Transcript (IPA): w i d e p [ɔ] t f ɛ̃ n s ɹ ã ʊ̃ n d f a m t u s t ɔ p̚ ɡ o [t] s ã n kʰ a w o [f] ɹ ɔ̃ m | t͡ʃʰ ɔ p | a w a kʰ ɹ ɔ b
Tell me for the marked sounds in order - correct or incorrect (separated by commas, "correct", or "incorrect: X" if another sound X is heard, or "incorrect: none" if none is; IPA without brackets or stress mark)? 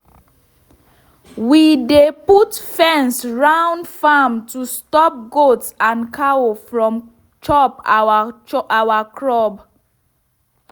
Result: incorrect: u, correct, correct